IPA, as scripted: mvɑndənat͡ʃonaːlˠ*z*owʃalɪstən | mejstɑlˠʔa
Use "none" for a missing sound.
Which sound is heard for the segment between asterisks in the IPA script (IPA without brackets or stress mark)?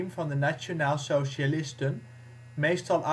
s